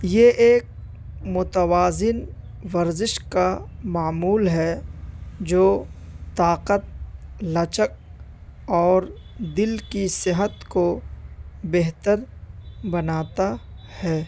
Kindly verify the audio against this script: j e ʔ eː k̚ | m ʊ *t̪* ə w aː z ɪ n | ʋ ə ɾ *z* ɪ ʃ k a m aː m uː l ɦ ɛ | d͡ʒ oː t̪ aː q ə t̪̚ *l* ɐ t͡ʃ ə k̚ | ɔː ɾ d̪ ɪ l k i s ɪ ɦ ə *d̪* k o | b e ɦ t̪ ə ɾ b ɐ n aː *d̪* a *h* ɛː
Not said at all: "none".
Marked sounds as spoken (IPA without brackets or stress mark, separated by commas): t̪, z, l, t̪, t̪, h